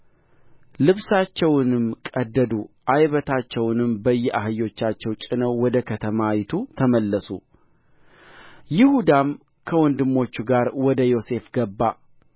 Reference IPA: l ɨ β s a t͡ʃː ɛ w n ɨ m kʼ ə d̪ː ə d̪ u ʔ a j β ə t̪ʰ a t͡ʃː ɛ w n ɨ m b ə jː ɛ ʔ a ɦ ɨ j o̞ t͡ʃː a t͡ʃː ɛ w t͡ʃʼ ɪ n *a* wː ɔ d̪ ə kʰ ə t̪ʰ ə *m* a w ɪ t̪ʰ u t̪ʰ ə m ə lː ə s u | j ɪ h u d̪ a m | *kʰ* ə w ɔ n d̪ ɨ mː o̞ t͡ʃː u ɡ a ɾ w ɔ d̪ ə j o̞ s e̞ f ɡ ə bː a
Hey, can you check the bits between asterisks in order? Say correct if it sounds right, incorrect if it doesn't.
incorrect, correct, correct

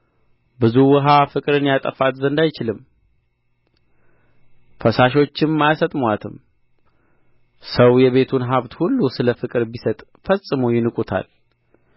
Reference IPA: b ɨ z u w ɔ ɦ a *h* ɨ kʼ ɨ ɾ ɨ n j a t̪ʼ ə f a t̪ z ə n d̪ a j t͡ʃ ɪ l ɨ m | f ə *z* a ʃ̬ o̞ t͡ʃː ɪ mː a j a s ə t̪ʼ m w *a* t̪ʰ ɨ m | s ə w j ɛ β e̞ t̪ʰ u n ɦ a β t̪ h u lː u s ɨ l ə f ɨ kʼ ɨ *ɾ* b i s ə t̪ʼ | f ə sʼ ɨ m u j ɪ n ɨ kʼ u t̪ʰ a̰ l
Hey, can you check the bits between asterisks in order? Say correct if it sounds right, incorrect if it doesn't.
incorrect, incorrect, correct, correct

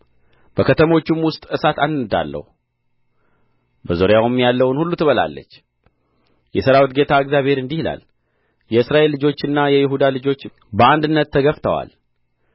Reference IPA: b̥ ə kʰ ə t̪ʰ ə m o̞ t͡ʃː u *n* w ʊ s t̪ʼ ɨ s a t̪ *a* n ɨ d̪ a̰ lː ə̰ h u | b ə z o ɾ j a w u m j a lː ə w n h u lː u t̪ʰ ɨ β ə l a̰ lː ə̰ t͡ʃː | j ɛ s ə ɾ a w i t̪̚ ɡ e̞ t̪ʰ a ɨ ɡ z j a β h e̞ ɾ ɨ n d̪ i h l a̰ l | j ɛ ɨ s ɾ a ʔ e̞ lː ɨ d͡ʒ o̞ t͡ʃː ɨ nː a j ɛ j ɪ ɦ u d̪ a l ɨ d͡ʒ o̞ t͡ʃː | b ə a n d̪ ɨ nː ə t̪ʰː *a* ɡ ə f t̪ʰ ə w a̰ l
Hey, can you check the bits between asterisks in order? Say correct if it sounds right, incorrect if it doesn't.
incorrect, correct, incorrect

